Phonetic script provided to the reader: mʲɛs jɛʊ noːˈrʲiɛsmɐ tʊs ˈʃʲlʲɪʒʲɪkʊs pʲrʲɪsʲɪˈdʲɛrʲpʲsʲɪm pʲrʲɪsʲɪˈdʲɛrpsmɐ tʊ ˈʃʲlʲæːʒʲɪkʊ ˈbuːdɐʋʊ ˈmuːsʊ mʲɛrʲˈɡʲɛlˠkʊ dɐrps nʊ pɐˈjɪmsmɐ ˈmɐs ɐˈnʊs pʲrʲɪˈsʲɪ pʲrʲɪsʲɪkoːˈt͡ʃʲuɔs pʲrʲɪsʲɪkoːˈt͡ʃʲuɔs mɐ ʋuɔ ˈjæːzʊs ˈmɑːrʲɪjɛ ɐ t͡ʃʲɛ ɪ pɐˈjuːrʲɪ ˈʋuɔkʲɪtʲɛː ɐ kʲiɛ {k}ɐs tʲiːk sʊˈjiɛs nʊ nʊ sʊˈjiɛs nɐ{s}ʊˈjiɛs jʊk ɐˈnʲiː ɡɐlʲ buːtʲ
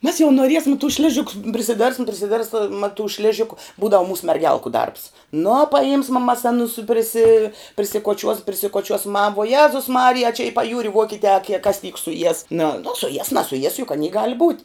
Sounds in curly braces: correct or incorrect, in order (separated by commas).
correct, correct